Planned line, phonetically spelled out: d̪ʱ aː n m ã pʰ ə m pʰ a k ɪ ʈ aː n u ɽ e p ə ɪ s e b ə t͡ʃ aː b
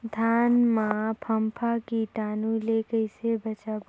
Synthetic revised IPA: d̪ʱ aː n m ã pʰ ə m pʰ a k i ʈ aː n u l e k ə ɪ s e b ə t͡ʃ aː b